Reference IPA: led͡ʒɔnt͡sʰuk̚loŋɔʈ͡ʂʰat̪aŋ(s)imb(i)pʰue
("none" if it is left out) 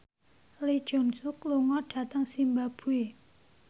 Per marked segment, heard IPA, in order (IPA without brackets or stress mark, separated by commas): s, a